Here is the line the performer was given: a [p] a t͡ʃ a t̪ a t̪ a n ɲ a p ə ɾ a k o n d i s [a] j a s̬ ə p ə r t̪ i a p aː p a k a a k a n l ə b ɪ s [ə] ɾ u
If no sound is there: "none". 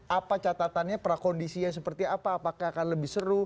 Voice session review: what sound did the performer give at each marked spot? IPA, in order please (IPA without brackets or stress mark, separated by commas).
p, i, ə